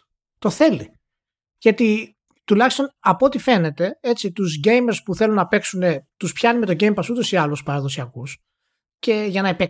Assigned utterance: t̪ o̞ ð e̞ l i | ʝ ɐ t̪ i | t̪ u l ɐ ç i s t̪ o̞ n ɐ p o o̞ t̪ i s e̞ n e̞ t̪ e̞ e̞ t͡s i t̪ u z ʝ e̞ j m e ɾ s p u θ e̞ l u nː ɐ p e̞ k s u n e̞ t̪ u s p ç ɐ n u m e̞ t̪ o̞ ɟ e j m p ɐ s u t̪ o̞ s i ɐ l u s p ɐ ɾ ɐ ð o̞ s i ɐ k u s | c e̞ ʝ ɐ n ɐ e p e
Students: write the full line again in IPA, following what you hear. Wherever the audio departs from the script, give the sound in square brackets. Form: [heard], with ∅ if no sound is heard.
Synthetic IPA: t̪ o̞ [θ] e̞ l i | ʝ ɐ t̪ i | t̪ u l ɐ ç i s t̪ o̞ n ɐ p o o̞ t̪ i [f] e̞ n e̞ t̪ e̞ e̞ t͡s i t̪ u z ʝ e̞ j m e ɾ s p u θ e̞ l u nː ɐ p e̞ k s u n e̞ t̪ u s p ç ɐ n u m e̞ t̪ o̞ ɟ e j m p ɐ s u t̪ o̞ s i ɐ l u s p ɐ ɾ ɐ ð o̞ s i ɐ k u s | c e̞ ʝ ɐ n ɐ e p e